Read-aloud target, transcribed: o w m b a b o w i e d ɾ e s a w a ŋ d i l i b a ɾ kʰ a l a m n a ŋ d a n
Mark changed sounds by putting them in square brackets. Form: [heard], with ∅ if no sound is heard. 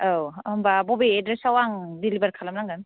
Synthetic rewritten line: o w m b a b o [b] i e d ɾ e s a w a ŋ d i l i b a ɾ kʰ a l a m n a ŋ [ɡ] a n